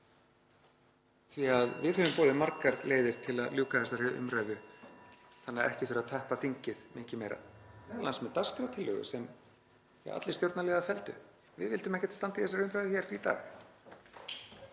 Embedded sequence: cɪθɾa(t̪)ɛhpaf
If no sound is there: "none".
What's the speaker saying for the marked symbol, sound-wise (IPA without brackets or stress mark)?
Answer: t̪ʰ